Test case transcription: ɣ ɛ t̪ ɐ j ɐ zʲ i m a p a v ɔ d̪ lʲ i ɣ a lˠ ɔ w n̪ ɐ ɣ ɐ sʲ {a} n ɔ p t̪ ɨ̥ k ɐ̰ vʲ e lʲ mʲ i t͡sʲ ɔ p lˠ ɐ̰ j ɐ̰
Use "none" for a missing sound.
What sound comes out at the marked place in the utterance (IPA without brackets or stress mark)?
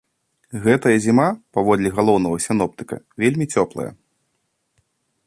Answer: i